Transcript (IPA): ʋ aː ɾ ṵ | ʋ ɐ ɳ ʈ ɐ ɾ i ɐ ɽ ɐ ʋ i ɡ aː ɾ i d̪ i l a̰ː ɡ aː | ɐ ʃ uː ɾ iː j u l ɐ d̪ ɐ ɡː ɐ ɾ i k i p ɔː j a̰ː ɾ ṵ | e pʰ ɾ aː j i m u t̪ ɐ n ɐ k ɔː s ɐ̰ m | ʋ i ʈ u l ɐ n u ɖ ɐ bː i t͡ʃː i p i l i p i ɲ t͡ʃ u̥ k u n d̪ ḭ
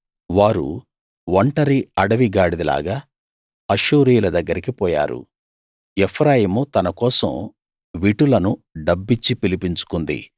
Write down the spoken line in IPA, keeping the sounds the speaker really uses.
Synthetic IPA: ʋ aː ɾ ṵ | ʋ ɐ ɳ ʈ ɐ ɾ i ɐ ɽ ɐ ʋ i ɡ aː ɽ i d̪ i l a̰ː ɡ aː | ɐ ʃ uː ɾ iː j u l ɐ d̪ ɐ ɡː ɐ ɾ i k i p ɔː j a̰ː ɾ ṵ | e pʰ ɾ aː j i m u t̪ ɐ n ɐ k ɔː s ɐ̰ m | ʋ i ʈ u l ɐ n u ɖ ɐ bː i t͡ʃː i p i l i p i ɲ t͡ʃ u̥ k u n d̪ ḭ